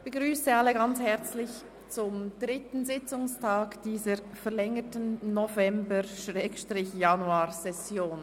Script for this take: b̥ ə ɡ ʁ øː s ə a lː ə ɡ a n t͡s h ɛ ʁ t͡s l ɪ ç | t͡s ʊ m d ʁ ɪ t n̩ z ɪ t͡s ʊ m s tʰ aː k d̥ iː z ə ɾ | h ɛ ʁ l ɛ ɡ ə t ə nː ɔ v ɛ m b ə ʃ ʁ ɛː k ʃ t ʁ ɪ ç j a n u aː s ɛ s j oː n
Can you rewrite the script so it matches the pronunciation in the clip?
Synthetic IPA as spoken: b̥ ə ɡ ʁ yː s ə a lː ə ɡ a n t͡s h ɛ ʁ t͡s l ɪ ç | t͡s ʊ m d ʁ ɪ t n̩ z ɪ t͡s ʊ ŋ s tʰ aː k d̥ iː z ə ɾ | f ɛ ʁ l ɛ ŋ ə t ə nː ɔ v ɛ m b ə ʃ ʁ ɛː k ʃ t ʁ ɪ ç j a n u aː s ɛ s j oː n